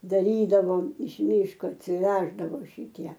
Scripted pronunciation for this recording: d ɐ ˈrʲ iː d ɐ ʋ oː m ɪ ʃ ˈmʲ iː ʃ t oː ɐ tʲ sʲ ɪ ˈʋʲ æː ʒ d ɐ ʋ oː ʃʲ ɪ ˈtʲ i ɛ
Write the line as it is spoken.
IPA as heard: d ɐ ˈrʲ iː d ɐ ʋ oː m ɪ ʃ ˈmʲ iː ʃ k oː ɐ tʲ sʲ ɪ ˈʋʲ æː ʒ d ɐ ʋ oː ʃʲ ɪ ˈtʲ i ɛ